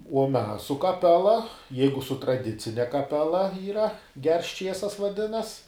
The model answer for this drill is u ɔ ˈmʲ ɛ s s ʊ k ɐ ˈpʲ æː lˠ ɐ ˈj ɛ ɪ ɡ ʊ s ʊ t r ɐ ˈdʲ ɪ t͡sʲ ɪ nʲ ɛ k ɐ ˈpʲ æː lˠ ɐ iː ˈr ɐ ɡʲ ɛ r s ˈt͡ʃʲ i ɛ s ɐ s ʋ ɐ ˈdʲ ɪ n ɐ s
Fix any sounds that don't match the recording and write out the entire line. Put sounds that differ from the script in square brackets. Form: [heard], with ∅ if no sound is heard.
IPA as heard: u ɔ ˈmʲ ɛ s s ʊ k ɐ ˈpʲ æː lˠ ɐ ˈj ɛ ɪ ɡ ʊ s ʊ t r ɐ ˈdʲ ɪ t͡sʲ ɪ nʲ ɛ k ɐ ˈpʲ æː lˠ ɐ iː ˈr ɐ ɡʲ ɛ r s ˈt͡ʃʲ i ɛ s ɐ s ʋ ɐ ˈdʲ ɪ n ɐ s